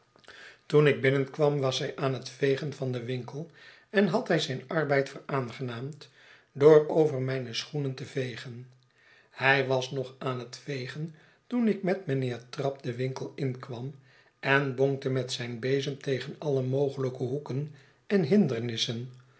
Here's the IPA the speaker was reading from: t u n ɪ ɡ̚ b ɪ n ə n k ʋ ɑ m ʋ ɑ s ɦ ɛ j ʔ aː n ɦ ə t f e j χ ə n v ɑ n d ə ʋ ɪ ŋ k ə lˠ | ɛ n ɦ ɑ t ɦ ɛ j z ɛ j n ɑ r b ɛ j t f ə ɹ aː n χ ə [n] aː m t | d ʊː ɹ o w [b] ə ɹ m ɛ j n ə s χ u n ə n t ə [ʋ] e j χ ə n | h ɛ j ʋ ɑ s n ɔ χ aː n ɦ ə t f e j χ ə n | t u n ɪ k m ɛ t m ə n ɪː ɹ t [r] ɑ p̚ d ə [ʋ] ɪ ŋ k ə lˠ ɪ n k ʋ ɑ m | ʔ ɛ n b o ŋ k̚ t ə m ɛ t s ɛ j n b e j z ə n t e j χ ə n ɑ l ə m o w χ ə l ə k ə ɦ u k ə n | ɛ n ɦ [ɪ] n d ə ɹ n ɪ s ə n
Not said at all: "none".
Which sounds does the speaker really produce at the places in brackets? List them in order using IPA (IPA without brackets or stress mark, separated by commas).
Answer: n, v, v, r, ʋ, ɪ